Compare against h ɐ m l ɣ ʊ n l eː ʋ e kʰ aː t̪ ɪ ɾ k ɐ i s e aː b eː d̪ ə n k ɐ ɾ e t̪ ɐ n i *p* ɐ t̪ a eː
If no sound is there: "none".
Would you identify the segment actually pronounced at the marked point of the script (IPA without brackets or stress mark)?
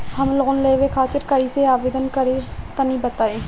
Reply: b